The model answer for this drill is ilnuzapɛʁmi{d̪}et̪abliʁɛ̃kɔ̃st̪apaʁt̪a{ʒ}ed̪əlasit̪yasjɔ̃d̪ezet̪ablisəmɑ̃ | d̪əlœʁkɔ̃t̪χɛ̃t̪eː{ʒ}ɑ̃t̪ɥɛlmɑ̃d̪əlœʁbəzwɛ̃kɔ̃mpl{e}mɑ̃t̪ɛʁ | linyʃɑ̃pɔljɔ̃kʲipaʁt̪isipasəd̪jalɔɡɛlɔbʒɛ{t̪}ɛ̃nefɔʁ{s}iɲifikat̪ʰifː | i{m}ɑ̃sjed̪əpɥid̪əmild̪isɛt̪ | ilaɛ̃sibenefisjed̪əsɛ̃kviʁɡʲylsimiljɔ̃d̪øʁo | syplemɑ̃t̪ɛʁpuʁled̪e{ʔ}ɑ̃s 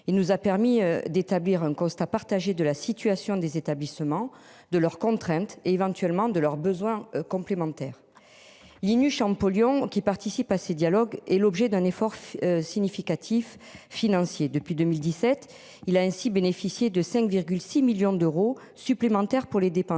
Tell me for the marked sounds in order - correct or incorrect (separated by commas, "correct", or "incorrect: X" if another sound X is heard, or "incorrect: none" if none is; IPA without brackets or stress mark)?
correct, correct, incorrect: v, correct, incorrect: d̪, correct, incorrect: n, incorrect: p